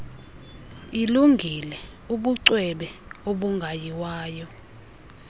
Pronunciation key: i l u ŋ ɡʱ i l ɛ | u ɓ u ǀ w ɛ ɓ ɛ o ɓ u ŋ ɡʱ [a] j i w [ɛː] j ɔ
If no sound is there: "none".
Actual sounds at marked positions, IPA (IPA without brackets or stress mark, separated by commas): a, aː